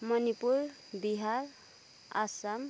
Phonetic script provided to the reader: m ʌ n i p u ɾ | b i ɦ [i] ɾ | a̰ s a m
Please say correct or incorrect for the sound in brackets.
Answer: incorrect